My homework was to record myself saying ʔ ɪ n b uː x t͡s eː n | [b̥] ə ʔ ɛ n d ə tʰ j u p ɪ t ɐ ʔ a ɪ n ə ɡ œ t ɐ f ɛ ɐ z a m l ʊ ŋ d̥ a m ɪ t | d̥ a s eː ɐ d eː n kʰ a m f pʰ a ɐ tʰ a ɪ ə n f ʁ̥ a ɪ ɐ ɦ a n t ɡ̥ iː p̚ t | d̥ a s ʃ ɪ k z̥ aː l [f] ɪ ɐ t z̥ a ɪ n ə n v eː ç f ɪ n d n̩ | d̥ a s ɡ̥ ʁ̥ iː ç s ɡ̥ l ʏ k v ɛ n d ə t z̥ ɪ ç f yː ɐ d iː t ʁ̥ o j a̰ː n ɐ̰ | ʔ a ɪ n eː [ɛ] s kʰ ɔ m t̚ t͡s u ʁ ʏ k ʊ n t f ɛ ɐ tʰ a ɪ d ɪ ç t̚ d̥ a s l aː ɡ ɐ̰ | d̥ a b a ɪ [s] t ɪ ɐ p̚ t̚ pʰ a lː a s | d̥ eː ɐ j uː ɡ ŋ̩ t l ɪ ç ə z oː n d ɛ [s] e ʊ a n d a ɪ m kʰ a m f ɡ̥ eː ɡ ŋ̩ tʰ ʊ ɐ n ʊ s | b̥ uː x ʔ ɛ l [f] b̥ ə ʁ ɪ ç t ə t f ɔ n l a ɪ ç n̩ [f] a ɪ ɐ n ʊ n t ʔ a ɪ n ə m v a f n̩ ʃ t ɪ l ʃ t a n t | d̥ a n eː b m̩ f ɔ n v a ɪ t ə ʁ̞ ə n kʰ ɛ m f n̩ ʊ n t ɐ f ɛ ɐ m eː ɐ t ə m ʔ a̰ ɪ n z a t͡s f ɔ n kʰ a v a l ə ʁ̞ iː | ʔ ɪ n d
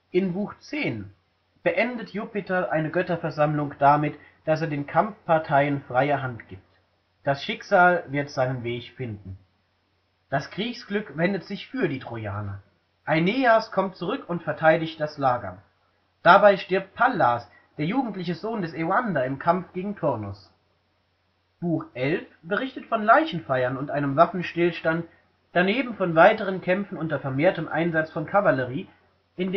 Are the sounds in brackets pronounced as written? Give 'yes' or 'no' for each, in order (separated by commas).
yes, no, no, no, yes, yes, yes